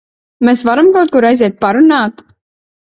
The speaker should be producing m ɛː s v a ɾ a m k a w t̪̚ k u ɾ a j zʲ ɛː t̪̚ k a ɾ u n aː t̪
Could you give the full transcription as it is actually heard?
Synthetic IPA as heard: m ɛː s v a ɾ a m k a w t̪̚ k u ɾ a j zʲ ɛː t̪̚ p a ɾ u n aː t̪